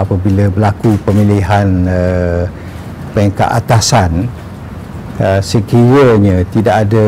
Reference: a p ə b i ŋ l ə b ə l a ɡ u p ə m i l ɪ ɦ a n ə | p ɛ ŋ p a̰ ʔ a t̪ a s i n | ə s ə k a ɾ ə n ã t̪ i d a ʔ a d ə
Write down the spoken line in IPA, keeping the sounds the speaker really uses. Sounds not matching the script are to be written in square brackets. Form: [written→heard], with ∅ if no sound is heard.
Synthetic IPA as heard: a p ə b i [ŋ→∅] l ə b ə l a [ɡ→k] u p ə m i l [ɪ→i] ɦ a n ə | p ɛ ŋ [p→k] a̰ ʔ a t̪ a s [i→a] n | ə s ə k [a→i] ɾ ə [n→ɲ] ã t̪ i d a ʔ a d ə